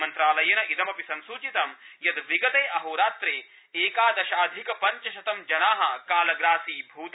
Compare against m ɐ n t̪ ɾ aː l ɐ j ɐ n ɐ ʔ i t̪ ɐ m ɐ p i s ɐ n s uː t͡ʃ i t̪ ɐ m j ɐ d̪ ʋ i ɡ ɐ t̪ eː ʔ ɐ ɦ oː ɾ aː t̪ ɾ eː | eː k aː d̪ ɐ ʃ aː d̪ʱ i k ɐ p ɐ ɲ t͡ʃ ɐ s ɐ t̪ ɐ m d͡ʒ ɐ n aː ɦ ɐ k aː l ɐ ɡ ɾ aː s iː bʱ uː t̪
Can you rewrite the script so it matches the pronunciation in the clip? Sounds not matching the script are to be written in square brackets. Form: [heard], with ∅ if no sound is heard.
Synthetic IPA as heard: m ɐ n t̪ ɾ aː l ɐ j ɐ n ɐ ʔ i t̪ ɐ m ɐ p i s ɐ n s uː t͡ʃ i t̪ ɐ m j ɐ d̪ ʋ i ɡ ɐ t̪ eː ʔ ɐ ɦ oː ɾ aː t̪ ɾ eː | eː k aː d̪ ɐ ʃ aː d̪ʱ i k ɐ p ɐ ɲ t͡ʃ ɐ [ʃ] ɐ t̪ ɐ m d͡ʒ ɐ n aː ɦ ɐ k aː l ɐ ɡ ɾ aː s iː bʱ uː t̪